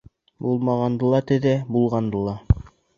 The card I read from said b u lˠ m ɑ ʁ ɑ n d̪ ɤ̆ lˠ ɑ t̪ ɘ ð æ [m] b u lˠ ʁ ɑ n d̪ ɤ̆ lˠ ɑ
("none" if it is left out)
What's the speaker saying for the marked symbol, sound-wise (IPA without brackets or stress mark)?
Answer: none